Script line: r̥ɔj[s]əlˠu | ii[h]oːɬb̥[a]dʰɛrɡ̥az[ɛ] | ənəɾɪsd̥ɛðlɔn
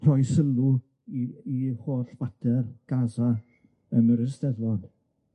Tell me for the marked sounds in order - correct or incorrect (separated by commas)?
correct, correct, correct, incorrect